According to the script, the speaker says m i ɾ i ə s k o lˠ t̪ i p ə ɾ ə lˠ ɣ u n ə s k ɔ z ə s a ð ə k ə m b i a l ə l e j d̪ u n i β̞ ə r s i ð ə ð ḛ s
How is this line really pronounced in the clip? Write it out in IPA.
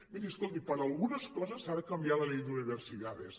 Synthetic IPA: m i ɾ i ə s k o lˠ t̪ i p ə ɾ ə lˠ ɣ u n ə s k ɔ z ə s a ð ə k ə m b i a l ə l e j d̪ u n i β̞ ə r s i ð a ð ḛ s